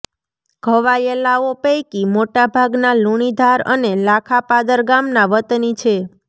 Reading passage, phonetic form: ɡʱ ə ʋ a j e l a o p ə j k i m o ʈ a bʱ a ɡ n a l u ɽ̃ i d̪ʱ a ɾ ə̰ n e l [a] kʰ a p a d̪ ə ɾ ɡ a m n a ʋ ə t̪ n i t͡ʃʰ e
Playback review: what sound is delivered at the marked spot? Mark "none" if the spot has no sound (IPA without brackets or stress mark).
a